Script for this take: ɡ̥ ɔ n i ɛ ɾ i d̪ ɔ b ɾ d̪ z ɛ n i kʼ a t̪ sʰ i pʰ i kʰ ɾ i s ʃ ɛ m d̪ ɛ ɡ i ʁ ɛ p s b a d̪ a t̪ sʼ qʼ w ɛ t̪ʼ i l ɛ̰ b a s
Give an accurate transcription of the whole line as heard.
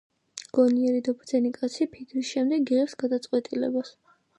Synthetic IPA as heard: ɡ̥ ɔ n i ɛ ɾ i d̪ ɔ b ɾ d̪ z ɛ n i kʼ a t̪ sʰ i pʰ i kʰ ɾ i s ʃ ɛ m d̪ ɛ ɡ i ʁ ɛ p s ɡ a d̪ a t̪ sʼ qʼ w ɛ t̪ʼ i l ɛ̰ b a s